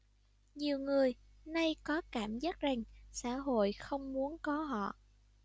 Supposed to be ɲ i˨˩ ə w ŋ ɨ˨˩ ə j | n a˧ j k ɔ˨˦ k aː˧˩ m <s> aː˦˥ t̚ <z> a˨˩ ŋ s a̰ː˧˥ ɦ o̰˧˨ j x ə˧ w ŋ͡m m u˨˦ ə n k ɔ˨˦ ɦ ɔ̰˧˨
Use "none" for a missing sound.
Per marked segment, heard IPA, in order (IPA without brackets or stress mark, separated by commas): z, z